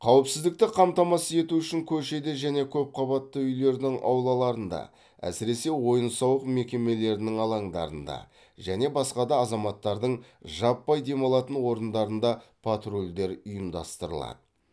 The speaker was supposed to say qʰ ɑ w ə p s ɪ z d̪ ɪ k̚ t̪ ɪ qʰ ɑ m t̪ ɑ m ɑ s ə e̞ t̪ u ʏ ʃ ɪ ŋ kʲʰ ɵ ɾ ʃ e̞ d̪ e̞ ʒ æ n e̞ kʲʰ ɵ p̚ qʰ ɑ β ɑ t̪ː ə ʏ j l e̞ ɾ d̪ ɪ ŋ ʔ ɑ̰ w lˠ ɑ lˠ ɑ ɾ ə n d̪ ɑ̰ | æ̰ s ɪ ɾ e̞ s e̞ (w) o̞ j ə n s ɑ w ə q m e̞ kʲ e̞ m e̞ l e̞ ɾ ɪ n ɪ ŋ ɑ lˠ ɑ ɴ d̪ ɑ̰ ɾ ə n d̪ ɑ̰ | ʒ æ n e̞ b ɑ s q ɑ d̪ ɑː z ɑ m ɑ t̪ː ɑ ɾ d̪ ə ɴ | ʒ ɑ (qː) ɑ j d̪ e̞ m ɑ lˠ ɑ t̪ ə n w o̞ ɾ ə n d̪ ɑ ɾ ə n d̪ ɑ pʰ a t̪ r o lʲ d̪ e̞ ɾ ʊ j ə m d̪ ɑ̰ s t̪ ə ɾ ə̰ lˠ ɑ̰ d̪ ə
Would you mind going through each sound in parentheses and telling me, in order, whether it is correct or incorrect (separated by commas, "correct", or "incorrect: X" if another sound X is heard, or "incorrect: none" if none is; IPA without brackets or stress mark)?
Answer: correct, incorrect: pː